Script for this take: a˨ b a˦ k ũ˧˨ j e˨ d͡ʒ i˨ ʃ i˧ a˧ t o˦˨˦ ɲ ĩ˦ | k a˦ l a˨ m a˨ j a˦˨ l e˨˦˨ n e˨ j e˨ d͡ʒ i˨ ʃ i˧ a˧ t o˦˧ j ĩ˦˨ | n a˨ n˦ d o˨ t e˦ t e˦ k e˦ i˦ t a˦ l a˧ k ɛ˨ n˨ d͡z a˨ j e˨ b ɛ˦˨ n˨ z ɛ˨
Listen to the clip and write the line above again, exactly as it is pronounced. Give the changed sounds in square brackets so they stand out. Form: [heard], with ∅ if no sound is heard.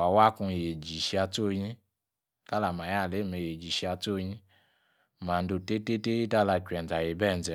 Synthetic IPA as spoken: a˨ [w] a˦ k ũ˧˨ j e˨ d͡ʒ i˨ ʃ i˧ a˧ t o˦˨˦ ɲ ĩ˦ | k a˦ l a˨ m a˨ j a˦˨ l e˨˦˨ [m] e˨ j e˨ d͡ʒ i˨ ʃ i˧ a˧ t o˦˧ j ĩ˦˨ | [m] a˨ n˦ d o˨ t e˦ t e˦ [t] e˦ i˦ t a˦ l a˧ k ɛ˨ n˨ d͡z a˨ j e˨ b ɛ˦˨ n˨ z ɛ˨

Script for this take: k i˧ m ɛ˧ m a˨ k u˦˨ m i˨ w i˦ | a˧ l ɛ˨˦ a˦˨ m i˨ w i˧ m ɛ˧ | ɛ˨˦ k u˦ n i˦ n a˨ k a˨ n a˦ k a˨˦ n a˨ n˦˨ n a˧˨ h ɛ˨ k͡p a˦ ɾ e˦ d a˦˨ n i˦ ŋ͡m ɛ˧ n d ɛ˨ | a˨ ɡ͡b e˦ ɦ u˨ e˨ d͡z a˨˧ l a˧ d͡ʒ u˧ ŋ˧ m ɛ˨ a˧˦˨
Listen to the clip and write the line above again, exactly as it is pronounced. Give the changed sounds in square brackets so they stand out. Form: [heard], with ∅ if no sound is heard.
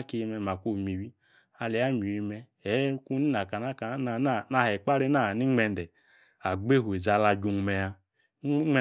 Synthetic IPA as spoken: k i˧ m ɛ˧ m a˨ k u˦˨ m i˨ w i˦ | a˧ l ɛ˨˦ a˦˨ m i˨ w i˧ m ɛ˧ | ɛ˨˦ k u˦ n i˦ n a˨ k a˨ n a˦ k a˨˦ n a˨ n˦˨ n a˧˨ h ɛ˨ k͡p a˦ ɾ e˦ [n] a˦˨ n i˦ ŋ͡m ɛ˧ n d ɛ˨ | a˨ ɡ͡b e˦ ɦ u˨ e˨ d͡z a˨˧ l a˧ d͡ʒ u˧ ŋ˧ m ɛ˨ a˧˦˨

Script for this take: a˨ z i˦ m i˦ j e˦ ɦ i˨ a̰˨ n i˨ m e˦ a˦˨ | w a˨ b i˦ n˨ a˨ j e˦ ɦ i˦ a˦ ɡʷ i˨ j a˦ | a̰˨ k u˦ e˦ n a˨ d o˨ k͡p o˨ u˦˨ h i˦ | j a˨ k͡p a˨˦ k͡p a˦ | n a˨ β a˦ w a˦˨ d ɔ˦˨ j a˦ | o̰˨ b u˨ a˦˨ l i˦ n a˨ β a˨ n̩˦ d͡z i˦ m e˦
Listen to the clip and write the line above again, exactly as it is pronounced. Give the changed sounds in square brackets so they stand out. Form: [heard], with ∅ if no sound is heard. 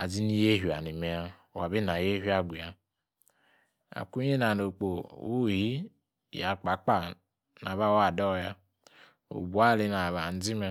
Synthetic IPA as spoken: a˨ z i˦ [n] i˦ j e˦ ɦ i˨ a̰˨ n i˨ m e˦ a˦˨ | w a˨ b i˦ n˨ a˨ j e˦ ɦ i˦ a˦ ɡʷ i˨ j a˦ | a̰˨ k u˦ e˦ n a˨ [n] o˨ k͡p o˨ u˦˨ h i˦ | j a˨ k͡p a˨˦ k͡p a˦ | n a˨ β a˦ w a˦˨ d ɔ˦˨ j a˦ | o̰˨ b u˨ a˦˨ l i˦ n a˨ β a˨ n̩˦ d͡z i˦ m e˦

